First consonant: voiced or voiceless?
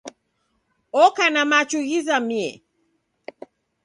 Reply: voiceless